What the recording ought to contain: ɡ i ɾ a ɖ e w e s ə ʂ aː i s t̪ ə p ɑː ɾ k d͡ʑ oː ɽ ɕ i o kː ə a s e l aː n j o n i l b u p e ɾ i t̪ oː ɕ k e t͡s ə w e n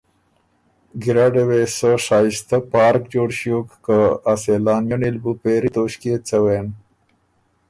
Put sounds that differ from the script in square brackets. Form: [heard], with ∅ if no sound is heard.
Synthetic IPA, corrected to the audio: ɡ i ɾ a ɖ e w e s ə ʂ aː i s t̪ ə p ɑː ɾ k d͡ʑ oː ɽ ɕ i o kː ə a s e l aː n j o n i l b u p e ɾ i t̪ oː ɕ k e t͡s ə w e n